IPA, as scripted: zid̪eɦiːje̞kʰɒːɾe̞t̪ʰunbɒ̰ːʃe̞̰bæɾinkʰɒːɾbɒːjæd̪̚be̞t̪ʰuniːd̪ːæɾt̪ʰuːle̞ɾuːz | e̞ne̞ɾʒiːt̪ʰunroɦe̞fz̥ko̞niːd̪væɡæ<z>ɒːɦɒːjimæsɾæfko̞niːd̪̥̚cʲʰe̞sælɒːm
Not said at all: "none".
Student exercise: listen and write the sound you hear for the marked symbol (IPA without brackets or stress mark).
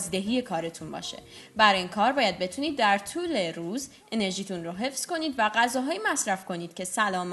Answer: z